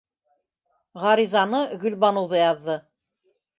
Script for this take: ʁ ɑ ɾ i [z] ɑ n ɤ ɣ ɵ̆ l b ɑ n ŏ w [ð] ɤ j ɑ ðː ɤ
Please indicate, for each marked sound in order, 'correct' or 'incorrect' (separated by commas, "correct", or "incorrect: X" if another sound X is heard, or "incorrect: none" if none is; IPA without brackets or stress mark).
correct, correct